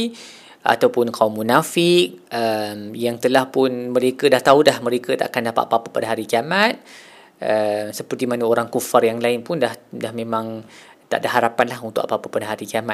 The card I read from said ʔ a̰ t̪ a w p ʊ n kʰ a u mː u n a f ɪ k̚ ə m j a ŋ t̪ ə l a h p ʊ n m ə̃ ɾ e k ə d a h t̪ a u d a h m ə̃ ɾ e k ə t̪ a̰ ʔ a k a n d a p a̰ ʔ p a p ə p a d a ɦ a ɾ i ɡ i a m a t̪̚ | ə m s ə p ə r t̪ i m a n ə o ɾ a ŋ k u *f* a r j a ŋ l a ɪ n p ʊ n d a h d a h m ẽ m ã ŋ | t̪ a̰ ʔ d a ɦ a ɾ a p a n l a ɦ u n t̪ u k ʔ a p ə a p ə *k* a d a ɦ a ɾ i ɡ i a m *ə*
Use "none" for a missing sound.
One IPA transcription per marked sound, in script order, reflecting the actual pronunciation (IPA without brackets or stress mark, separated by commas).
f, p, a